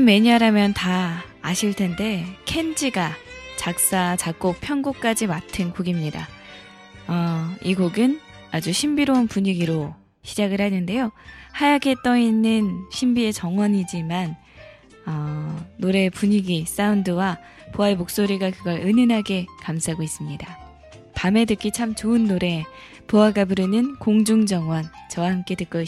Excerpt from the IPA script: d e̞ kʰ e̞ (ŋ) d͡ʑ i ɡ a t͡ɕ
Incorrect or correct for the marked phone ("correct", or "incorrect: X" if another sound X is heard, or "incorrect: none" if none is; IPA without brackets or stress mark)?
incorrect: n